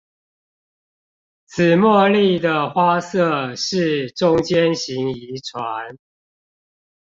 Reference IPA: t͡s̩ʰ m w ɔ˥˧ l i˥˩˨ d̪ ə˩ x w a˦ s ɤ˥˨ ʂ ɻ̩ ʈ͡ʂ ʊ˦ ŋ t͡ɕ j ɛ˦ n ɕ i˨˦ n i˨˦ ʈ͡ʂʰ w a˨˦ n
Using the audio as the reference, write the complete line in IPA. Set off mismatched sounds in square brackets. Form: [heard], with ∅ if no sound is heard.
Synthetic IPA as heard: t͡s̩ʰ m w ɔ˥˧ l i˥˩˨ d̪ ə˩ x w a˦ s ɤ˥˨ ʂ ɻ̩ ʈ͡ʂ ʊ˦ ŋ t͡ɕ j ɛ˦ n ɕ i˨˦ [ŋ] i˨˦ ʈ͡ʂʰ w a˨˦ n

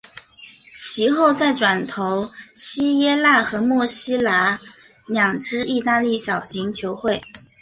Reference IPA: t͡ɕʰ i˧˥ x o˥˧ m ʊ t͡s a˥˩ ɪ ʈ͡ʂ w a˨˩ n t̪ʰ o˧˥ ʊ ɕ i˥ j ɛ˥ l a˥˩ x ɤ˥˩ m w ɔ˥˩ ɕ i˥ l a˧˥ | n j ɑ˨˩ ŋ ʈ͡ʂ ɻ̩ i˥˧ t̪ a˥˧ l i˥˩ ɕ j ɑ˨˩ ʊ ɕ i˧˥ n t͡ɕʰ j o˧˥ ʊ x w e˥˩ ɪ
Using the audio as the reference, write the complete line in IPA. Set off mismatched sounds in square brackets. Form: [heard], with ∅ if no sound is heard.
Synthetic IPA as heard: t͡ɕʰ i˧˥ x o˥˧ [∅] ʊ t͡s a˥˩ ɪ ʈ͡ʂ w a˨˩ n t̪ʰ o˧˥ ʊ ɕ i˥ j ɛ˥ l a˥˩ x [ɤ˧˥] m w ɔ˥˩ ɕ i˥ l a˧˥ | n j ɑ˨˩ ŋ ʈ͡ʂ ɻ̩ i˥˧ t̪ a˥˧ l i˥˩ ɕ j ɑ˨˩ ʊ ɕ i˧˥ [ŋ] t͡ɕʰ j o˧˥ ʊ x w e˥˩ ɪ

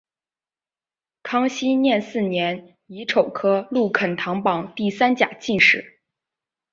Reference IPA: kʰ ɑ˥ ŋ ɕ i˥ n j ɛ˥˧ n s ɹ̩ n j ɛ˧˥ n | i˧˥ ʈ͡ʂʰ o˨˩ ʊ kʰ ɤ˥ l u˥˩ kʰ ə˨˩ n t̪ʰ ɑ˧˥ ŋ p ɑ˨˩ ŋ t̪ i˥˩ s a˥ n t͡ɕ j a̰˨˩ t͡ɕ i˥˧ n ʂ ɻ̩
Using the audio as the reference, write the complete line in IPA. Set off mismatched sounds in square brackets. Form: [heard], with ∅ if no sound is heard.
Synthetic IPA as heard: kʰ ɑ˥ ŋ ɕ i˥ n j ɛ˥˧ n s ɹ̩ n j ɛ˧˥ n | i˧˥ ʈ͡ʂʰ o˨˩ ʊ kʰ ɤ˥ l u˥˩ kʰ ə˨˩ n t̪ʰ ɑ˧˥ ŋ p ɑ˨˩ ŋ t̪ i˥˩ s a˥ n t͡ɕ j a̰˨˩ t͡ɕ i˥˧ n ʂ ɻ̩

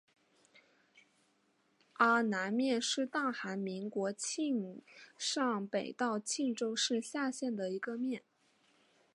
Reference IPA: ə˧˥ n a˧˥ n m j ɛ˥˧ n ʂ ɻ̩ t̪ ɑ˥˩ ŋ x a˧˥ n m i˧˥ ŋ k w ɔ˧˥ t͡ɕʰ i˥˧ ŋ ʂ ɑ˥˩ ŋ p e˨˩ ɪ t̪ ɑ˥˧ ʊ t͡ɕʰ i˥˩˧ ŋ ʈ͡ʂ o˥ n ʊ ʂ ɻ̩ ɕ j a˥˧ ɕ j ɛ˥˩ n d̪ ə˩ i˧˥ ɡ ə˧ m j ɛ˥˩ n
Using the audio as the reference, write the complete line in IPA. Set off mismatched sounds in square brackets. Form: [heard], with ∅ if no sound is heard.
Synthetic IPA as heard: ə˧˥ n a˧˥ n m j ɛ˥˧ n ʂ ɻ̩ t̪ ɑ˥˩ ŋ x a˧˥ n m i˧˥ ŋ k w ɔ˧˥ t͡ɕʰ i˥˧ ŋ ʂ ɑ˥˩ ŋ p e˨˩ ɪ t̪ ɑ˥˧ ʊ t͡ɕʰ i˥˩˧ ŋ ʈ͡ʂ o˥ [∅] ʊ ʂ ɻ̩ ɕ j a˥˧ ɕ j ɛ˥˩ n d̪ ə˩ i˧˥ ɡ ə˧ m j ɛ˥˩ n

